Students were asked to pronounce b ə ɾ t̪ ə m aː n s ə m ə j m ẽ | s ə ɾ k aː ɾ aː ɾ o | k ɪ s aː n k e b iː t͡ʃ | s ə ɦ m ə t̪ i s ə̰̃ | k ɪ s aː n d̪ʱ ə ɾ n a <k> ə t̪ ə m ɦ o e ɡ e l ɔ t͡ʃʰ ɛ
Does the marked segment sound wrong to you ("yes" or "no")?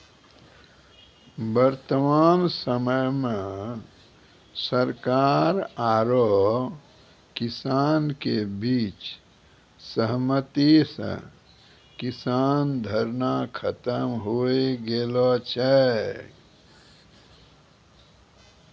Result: yes